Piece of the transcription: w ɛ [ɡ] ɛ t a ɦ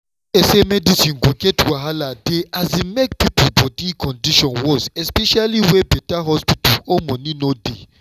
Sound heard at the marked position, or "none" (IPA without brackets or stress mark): b